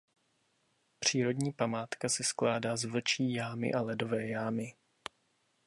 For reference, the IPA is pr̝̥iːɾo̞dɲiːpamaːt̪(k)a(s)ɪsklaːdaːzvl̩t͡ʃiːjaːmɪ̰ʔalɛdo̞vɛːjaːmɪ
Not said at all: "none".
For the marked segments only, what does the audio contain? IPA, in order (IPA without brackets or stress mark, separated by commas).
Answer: k, s